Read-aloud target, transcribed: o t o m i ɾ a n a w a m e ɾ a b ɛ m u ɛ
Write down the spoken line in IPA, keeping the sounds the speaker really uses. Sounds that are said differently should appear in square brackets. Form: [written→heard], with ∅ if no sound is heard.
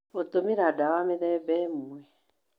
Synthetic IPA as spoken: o t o m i ɾ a [n→d] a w a m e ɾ [a→ɛ] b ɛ m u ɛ